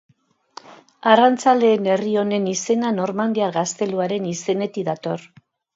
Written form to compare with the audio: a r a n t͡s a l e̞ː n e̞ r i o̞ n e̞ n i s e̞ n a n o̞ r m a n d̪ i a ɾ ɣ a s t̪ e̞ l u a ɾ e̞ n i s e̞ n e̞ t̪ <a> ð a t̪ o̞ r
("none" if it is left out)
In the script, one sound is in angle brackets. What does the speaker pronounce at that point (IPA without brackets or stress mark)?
i